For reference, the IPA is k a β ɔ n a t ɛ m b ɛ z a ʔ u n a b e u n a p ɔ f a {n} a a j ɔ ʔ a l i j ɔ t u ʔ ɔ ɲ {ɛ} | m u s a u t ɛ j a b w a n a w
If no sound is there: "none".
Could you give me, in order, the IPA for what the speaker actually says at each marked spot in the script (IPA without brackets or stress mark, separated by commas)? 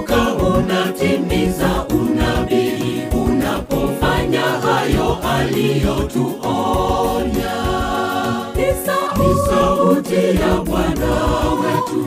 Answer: ɲ, a